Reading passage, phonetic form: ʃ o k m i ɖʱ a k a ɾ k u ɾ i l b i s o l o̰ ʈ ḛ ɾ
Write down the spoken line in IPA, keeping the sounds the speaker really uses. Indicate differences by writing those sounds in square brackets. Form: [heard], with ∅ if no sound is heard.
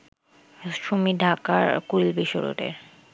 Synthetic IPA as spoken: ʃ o [∅] m i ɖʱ a k a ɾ k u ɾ i l b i [ʃ] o [ɾ] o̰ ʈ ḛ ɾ